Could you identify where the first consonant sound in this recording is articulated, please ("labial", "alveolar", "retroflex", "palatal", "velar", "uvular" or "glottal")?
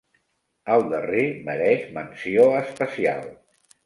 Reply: alveolar